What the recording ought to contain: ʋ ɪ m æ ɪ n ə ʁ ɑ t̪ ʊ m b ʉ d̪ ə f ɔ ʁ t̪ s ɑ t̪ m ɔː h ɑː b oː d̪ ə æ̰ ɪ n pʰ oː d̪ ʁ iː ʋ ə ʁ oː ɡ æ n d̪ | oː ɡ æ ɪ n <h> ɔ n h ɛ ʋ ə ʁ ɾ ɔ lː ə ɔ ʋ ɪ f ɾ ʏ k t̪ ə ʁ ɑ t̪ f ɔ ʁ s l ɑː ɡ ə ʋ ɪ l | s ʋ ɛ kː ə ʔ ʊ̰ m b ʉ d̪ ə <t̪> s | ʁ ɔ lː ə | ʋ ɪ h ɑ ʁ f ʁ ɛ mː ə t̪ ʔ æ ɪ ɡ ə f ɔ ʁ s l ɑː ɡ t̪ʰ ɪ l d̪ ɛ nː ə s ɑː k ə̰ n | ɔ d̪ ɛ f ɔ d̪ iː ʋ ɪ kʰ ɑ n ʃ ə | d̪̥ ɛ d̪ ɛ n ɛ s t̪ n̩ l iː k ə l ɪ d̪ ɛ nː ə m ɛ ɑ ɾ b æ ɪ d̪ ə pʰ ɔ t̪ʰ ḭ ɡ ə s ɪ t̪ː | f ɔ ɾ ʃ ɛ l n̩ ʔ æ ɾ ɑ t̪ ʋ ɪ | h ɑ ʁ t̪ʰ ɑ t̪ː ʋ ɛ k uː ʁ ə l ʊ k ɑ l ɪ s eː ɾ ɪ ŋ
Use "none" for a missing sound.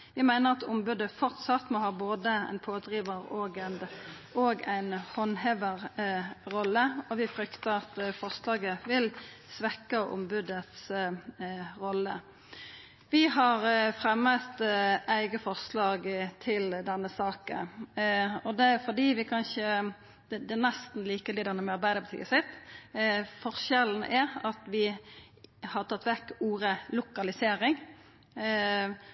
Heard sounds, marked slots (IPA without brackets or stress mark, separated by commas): h, t̪